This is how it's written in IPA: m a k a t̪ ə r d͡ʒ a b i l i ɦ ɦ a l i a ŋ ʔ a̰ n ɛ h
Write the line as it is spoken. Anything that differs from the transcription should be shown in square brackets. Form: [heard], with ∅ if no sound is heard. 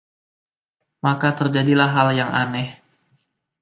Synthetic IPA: m a k a t̪ ə r d͡ʒ a [d] i l [a] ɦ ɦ a l [j] a ŋ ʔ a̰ n ɛ h